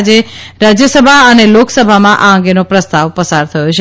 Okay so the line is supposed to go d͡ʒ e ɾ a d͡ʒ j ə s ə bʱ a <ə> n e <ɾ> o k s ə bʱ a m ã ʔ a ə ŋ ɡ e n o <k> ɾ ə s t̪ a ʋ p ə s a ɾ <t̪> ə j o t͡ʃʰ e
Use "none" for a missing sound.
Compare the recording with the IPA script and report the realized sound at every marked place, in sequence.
ə, l, p, t̪ʰ

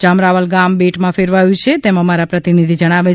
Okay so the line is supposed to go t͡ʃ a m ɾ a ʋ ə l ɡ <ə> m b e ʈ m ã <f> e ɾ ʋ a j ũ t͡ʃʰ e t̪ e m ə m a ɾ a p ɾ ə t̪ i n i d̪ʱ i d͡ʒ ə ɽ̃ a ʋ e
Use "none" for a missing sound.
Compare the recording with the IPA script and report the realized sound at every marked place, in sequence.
a, f

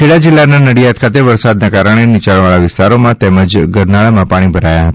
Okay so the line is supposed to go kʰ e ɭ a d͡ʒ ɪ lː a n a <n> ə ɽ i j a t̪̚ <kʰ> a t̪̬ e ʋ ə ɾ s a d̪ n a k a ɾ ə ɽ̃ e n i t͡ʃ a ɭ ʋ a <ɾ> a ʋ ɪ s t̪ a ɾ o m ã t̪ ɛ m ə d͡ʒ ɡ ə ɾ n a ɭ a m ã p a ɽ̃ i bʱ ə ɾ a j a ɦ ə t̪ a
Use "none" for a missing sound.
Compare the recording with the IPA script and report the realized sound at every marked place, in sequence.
n, kʰ, ɭ

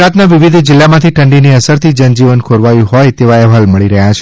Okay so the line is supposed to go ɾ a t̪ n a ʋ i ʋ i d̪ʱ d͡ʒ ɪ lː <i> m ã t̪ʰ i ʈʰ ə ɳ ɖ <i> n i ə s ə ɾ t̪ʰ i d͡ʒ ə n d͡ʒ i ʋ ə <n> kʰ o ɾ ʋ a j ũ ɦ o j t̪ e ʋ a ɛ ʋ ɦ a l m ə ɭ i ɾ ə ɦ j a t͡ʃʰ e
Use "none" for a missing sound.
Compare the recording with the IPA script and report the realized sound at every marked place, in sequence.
a, i, n

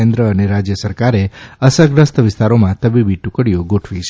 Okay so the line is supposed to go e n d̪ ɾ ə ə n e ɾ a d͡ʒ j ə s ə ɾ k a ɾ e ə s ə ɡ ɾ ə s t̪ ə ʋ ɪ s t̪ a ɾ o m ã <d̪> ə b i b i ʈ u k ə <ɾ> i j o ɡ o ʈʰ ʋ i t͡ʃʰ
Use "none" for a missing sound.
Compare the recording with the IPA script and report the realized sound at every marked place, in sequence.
t̪, ɽ

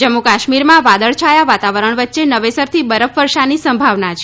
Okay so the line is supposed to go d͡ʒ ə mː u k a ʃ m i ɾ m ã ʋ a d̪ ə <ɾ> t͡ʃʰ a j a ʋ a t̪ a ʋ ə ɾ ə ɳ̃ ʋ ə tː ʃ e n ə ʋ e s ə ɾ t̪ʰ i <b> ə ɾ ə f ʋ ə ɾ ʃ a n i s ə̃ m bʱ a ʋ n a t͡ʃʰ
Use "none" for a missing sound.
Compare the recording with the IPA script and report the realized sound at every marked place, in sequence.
ɭ, b

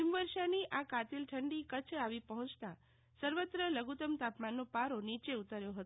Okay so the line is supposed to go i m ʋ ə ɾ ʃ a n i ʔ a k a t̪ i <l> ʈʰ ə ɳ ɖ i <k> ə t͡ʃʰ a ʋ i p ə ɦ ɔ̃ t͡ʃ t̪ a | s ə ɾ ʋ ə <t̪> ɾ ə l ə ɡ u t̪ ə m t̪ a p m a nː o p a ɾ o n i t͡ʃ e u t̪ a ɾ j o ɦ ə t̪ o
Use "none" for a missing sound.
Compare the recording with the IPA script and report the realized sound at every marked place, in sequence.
l, k, t̪

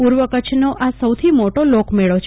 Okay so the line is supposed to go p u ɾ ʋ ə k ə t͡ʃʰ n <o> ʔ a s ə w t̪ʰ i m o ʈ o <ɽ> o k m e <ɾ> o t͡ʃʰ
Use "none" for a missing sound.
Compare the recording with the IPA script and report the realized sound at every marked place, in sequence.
o, l, ɭ

